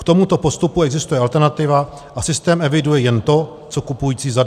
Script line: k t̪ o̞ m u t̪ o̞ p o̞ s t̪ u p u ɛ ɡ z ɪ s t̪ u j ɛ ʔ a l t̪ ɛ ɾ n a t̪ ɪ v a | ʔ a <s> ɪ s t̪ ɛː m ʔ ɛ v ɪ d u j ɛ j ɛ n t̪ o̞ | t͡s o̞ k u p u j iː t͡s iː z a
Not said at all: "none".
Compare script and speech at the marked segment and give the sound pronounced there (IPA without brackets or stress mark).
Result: s